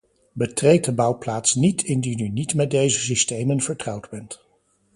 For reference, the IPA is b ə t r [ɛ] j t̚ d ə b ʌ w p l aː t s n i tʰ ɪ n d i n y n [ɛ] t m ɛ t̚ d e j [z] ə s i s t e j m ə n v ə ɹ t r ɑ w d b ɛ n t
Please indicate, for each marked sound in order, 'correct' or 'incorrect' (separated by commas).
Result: incorrect, incorrect, correct